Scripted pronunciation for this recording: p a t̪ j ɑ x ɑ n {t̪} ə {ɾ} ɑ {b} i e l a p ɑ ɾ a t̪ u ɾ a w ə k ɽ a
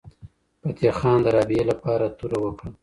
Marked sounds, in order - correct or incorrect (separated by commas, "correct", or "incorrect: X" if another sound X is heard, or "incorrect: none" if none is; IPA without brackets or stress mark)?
incorrect: d̪, correct, correct